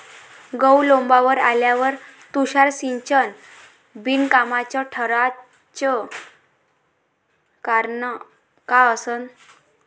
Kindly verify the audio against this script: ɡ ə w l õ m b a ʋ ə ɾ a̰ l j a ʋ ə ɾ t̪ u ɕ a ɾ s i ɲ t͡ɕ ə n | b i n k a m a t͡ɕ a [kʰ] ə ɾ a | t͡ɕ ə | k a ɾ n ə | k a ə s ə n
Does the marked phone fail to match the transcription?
yes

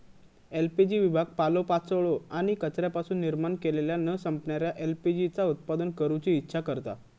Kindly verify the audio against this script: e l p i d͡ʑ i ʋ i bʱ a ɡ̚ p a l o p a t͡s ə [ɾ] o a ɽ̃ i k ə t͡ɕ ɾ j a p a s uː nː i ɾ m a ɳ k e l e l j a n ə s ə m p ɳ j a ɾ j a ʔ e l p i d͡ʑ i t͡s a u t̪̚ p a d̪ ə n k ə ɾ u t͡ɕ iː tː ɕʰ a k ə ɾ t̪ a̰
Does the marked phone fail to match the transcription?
yes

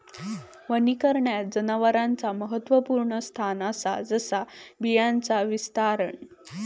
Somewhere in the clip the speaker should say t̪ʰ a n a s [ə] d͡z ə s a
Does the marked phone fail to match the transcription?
yes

